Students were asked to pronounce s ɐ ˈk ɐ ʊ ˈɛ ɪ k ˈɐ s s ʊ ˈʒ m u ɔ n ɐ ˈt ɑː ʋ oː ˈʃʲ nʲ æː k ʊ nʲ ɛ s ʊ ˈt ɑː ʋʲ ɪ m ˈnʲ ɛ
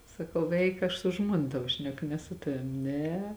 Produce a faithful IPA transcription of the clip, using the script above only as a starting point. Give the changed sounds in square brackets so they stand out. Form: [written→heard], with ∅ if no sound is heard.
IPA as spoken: s ɐ ˈk ɐ ʊ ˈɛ ɪ k ˈɐ [s→ʃ] s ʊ ˈʒ m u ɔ n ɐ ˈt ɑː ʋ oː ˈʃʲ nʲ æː k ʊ nʲ ɛ s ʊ ˈt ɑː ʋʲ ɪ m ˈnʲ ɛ